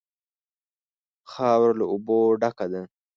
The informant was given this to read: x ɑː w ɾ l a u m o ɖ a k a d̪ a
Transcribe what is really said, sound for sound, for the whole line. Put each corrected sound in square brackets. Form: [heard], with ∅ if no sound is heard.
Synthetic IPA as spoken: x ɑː w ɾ l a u [b] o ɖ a k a d̪ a